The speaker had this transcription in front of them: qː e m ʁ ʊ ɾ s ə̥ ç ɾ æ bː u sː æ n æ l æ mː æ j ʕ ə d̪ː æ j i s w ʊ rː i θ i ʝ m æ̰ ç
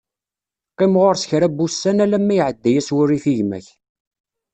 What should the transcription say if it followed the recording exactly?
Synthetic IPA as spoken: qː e m ʁ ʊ ɾ s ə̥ ç ɾ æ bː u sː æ n æ l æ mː æ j ʕ ə d̪ː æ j æ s w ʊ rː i θ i ʝ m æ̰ ç